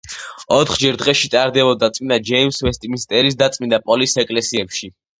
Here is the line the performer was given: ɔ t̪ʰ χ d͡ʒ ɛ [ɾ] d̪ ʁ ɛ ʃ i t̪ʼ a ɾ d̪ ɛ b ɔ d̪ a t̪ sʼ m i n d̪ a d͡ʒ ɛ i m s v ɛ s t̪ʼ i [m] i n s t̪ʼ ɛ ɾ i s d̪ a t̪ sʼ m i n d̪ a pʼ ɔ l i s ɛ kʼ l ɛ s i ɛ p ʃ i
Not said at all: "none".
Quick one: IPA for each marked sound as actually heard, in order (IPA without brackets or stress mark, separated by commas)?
ɾ, m